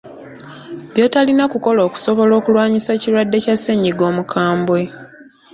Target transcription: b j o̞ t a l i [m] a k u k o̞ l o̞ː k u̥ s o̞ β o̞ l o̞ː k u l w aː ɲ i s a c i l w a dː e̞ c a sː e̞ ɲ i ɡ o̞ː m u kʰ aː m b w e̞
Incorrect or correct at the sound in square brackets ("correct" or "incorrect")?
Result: incorrect